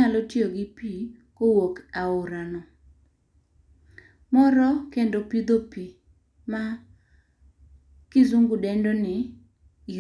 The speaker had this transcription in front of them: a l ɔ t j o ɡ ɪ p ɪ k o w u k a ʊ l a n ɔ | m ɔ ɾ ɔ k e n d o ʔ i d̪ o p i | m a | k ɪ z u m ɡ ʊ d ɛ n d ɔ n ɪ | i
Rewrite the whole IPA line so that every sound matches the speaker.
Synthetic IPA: a l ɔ t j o ɡ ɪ p i k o w o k a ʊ ɾ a n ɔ | m ɔ ɾ ɔ k e n d o p i d̪ o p i | m a | k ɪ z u ŋ ɡ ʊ d ɛ n d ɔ n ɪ | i